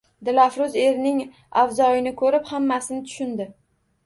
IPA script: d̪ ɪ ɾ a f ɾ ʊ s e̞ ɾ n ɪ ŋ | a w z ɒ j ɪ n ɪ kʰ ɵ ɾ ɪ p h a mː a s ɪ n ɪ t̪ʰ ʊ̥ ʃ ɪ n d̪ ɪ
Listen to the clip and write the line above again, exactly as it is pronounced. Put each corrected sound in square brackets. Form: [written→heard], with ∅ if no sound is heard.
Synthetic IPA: d̪ ɪ [ɾ→l] a f ɾ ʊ [s→z] e̞ ɾ n ɪ ŋ | a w z ɒ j ɪ n ɪ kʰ ɵ ɾ ɪ p h a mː a s ɪ n ɪ t̪ʰ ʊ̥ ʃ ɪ n d̪ ɪ